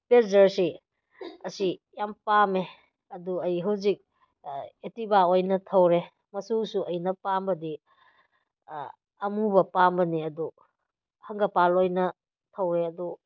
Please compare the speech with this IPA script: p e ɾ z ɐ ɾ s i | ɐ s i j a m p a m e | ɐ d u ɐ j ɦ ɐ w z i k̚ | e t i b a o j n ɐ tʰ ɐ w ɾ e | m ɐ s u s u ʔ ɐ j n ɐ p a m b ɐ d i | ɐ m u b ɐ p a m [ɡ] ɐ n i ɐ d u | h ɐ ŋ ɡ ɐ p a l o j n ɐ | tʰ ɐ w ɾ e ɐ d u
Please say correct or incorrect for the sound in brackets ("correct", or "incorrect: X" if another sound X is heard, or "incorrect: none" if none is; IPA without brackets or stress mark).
incorrect: b